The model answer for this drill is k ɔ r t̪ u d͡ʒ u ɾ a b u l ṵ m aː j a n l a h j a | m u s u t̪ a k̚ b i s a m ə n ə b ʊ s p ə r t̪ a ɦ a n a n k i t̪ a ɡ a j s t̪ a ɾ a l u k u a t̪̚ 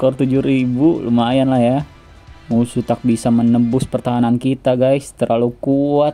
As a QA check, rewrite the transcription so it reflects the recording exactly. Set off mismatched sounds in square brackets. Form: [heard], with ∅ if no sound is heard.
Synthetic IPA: k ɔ r t̪ u d͡ʒ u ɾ [i] b u l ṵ m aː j a n l a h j a | m u s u t̪ a k̚ b i s a m ə n ə b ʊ s p ə r t̪ a ɦ a n a n k i t̪ a ɡ a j s t̪ [ə] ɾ a l u k u a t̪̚